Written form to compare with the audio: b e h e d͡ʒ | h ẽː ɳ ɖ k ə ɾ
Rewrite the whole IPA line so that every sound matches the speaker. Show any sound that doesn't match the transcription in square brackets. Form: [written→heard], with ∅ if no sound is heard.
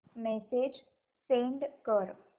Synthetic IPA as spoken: [b→m] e [h→s] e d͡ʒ | [h→s] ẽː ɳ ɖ k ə ɾ